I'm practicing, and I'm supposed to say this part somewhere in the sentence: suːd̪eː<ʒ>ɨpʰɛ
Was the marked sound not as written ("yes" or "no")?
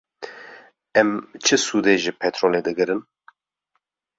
no